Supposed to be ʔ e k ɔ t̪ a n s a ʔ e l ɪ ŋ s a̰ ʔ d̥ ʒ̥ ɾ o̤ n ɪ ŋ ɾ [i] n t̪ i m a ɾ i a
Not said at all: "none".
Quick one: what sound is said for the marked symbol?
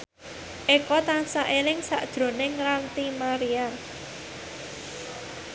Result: a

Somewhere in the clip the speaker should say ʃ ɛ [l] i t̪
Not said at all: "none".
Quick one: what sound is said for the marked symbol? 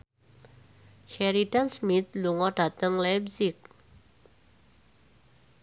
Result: ɾ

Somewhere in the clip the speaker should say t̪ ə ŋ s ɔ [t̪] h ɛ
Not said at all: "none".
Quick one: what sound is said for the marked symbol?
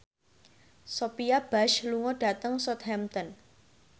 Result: t̪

